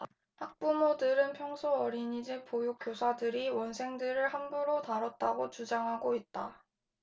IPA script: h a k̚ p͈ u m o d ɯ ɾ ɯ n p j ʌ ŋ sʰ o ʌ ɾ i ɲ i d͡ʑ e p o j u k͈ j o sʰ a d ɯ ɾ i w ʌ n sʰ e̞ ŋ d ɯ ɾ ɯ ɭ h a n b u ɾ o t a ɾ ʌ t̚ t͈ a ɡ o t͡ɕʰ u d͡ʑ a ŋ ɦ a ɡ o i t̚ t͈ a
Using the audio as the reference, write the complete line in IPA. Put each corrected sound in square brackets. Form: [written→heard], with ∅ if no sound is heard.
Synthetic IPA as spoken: h a k̚ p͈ u m o d ɯ ɾ ɯ n [p→pʰ] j ʌ ŋ sʰ o ʌ ɾ i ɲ i d͡ʑ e p o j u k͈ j o sʰ a d ɯ ɾ i w ʌ n sʰ e̞ ŋ d ɯ ɾ ɯ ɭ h a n b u ɾ o t a ɾ ʌ t̚ t͈ a ɡ o [t͡ɕʰ→t͡ɕ] u d͡ʑ a ŋ ɦ a ɡ o i t̚ t͈ a